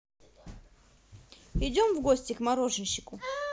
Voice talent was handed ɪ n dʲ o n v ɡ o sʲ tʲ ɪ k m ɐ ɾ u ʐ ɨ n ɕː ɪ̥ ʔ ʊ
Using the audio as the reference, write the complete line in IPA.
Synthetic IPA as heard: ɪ dʲ o m v ɡ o sʲ tʲ ɪ k m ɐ ɾ o ʐ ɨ n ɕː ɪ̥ k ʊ